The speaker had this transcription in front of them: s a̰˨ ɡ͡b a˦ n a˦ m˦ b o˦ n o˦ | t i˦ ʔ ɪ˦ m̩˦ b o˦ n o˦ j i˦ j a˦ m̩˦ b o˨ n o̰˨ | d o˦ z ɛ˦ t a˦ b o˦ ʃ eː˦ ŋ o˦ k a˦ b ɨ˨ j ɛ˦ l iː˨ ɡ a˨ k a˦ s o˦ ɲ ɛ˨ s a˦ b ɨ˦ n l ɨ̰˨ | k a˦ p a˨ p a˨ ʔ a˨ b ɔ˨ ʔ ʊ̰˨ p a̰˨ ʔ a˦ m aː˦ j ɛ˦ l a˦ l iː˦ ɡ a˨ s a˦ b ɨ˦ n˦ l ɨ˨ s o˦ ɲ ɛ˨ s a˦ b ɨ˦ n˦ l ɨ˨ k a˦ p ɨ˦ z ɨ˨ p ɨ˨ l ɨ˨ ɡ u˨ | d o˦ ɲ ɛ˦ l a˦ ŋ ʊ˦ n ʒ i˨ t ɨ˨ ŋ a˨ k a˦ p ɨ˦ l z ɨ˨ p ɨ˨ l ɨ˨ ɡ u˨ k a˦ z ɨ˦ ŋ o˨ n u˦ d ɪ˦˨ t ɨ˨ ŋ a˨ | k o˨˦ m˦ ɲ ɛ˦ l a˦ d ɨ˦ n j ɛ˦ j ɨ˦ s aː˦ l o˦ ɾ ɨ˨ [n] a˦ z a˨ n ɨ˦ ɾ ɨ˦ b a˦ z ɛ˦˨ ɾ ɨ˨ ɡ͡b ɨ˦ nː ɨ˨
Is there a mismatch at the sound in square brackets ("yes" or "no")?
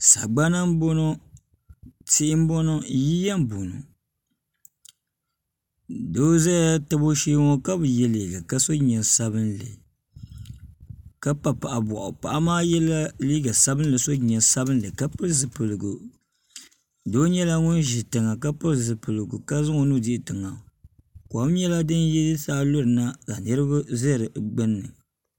no